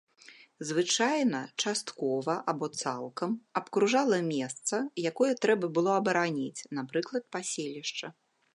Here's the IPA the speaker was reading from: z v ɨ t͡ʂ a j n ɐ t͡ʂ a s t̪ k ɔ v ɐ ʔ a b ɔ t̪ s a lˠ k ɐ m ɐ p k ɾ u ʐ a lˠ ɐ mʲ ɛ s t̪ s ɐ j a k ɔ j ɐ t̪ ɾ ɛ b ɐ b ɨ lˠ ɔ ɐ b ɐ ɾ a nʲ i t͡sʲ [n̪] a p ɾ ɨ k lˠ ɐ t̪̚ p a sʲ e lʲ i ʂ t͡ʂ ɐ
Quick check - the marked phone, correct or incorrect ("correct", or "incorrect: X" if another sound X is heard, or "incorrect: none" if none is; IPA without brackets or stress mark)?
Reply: correct